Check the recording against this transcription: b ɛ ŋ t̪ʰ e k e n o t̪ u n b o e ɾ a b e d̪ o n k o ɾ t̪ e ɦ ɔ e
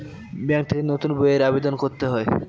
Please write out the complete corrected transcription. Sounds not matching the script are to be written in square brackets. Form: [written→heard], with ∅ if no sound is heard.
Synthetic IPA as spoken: b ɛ ŋ t̪ʰ e k e n o t̪ u n b o e ɾ a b e d̪ o n k o ɾ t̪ e ɦ ɔ e